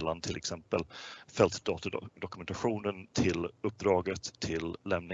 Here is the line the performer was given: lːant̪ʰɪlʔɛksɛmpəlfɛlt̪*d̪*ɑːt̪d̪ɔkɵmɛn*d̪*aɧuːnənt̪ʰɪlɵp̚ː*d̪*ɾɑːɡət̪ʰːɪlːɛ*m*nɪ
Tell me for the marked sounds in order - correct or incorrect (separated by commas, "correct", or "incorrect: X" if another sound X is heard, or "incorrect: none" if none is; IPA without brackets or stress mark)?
correct, incorrect: t̪, correct, correct